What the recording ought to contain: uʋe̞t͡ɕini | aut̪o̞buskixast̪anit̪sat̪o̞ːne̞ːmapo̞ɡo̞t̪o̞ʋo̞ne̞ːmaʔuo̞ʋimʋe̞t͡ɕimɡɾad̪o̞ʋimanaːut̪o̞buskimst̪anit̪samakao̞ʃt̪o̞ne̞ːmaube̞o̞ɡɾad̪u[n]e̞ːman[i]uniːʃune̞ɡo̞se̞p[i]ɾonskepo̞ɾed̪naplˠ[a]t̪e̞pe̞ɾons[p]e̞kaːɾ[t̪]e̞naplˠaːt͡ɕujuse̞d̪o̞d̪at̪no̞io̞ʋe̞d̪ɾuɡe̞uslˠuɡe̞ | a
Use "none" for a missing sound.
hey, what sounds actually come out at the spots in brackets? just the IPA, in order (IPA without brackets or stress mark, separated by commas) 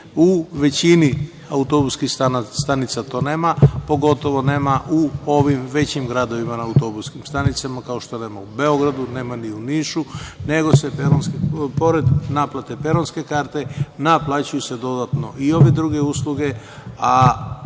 n, i, e, a, k, t̪